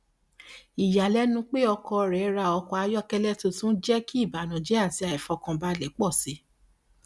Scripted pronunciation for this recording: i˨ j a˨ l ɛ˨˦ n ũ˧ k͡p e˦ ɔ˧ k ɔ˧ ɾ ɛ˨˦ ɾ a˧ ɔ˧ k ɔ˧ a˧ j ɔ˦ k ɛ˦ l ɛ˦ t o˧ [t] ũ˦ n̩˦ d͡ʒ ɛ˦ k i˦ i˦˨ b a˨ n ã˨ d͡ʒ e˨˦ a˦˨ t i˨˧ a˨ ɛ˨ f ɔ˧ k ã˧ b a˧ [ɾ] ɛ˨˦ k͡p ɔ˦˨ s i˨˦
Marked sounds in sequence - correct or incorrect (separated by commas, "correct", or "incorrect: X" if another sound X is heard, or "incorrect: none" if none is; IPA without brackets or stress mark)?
correct, incorrect: l